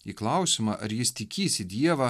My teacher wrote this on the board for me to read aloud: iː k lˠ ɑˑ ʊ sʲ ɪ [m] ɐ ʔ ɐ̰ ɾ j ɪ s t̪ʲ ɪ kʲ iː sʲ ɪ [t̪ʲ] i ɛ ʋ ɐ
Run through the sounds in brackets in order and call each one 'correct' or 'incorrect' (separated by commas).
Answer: correct, incorrect